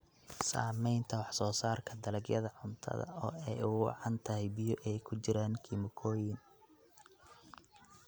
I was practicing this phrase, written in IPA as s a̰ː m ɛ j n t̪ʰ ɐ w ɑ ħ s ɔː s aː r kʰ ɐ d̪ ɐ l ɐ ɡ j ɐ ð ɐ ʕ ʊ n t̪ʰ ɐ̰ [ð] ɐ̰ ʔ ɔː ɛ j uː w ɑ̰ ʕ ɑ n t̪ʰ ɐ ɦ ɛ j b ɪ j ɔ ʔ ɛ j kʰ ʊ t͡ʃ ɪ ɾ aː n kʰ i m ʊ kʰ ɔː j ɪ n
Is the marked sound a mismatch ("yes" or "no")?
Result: no